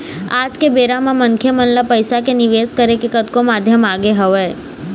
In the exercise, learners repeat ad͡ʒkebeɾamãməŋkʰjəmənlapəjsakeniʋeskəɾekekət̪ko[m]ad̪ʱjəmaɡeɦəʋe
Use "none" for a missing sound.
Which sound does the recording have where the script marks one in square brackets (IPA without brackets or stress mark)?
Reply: m